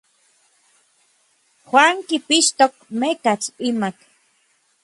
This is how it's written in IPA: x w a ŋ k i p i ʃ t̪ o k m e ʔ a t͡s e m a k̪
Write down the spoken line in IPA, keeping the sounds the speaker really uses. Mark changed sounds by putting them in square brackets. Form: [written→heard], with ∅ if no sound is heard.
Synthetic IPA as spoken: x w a ŋ k i p i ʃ t̪ o k m e [ʔ→k] a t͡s [e→i] m a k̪